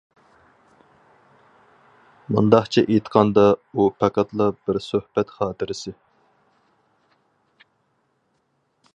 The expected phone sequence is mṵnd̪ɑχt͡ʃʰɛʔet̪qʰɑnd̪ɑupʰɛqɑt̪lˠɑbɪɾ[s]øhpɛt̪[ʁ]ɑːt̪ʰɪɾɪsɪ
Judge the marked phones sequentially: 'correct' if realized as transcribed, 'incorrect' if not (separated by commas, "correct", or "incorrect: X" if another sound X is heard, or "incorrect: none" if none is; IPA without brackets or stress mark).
correct, incorrect: χ